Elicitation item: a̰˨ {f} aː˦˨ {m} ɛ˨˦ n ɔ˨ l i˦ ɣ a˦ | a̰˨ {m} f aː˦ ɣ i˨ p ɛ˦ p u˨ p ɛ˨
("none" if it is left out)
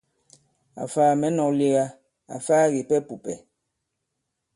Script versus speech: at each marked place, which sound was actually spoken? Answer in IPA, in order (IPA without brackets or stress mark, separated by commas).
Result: f, m, none